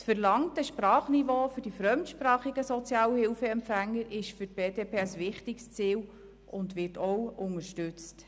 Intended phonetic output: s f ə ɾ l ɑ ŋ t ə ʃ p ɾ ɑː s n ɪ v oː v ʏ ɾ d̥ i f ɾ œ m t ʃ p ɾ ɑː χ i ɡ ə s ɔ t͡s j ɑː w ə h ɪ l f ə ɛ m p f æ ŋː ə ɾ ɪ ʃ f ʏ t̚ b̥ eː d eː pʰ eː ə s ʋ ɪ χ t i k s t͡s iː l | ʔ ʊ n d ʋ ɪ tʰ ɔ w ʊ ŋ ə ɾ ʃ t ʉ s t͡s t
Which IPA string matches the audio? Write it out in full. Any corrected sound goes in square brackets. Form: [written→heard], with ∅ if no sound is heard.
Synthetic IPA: s f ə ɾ l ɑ ŋ t ə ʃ p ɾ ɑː [s→χ] n [ɪ→i] v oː [v→f] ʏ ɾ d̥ i f ɾ œ m t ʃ p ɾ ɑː χ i ɡ ə s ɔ t͡s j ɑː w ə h ɪ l f ə ɛ m p f æ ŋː ə ɾ ɪ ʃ f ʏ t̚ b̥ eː d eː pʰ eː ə s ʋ ɪ χ t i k s t͡s iː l | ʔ ʊ n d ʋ ɪ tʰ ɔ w ʊ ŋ ə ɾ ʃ t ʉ [s→∅] t͡s t